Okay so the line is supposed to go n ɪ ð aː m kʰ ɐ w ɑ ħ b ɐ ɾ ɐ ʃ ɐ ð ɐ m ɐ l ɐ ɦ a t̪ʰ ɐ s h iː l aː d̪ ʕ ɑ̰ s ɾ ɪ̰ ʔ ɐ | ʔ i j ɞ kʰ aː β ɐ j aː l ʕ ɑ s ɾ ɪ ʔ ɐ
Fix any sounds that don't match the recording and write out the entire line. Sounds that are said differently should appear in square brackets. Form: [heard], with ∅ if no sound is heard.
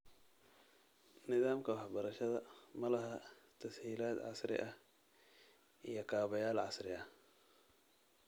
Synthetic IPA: n ɪ ð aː m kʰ ɐ w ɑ ħ b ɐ ɾ ɐ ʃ ɐ ð ɐ m ɐ l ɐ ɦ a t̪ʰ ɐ s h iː l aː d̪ ʕ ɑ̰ s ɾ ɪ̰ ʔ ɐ | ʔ i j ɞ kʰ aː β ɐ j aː l ʕ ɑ s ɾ ɪ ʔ ɐ